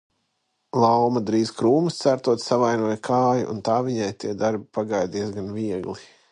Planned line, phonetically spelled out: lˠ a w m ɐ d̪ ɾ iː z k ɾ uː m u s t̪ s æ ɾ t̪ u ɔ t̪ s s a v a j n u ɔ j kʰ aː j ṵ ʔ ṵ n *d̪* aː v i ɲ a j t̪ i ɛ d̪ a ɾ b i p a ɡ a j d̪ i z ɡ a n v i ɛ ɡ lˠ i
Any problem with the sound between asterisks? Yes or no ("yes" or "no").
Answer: yes